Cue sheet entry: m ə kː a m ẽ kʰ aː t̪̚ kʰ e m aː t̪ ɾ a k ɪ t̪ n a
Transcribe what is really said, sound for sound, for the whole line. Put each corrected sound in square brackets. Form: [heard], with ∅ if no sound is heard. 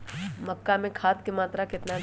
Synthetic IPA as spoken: m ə kː a m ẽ kʰ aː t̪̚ [k] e m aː t̪ ɾ a k ɪ t̪ n a